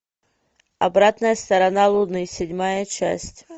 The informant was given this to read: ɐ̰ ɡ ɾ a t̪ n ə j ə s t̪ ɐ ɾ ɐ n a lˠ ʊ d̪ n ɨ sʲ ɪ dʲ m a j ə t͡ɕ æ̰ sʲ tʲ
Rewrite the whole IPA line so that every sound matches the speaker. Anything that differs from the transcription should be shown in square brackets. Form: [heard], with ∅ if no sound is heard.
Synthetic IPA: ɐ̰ [b] ɾ a t̪ n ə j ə s t̪ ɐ ɾ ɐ n a lˠ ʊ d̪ n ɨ sʲ ɪ dʲ m a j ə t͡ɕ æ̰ sʲ tʲ